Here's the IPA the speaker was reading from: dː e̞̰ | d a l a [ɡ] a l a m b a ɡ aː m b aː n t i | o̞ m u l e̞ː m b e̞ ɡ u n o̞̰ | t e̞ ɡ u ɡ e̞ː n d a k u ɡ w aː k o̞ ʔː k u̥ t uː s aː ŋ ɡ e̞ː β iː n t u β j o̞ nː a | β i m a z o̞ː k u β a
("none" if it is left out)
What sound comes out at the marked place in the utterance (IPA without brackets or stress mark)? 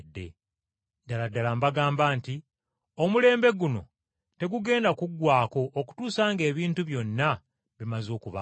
d